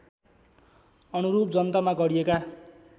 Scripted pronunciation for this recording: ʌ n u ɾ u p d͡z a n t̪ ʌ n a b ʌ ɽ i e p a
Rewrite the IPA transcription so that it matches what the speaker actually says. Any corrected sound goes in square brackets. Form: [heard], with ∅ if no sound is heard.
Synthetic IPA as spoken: ʌ n u ɾ u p d͡z [ʌ] n t̪ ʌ [m] a [ɡ] ʌ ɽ i e [k] a